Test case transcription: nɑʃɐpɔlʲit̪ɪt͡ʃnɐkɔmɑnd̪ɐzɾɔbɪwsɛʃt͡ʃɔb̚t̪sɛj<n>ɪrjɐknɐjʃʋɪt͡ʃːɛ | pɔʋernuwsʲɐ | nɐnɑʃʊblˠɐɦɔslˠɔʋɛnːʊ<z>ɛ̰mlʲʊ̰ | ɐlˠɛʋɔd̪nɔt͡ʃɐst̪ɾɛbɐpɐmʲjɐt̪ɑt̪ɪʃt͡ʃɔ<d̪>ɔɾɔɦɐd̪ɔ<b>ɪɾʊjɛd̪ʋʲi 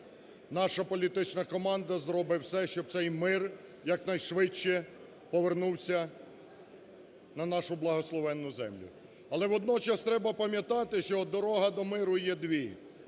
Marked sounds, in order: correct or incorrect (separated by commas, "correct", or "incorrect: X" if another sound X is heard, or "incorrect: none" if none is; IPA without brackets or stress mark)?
incorrect: m, correct, correct, incorrect: m